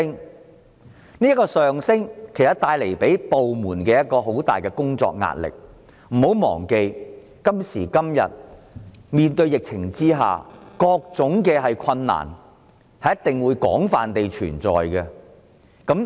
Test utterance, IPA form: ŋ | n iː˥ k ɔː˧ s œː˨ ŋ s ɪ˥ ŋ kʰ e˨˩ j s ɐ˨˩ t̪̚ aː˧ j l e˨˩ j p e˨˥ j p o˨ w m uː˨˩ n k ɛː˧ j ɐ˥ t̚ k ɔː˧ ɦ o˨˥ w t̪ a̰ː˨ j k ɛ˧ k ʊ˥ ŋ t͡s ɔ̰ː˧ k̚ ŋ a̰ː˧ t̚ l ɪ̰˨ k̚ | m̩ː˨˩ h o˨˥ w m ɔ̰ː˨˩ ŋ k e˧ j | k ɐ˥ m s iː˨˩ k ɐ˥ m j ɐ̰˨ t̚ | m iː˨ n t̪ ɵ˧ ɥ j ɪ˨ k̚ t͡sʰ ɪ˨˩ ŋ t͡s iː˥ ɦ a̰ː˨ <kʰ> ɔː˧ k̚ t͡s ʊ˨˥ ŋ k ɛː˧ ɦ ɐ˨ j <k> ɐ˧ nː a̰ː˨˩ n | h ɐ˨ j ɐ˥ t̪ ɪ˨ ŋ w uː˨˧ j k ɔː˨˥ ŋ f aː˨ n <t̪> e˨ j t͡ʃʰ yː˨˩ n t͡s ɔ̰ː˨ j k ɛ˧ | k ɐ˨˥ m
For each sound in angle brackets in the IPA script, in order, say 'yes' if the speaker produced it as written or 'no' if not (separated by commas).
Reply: no, no, yes